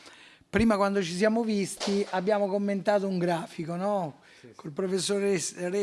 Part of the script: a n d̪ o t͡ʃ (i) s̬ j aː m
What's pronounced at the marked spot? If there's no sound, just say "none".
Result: i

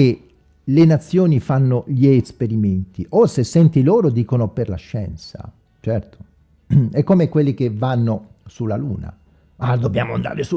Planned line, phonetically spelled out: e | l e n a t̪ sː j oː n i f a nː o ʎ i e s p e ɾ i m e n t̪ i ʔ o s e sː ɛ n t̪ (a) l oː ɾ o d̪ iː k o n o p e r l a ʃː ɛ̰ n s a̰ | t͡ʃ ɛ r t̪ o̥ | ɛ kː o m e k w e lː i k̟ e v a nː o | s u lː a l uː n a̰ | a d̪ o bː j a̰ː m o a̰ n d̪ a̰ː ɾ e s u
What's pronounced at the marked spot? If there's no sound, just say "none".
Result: i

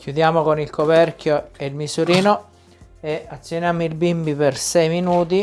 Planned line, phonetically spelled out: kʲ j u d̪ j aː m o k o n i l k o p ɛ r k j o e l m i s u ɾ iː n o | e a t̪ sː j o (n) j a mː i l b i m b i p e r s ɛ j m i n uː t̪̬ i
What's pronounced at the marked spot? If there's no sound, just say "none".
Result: n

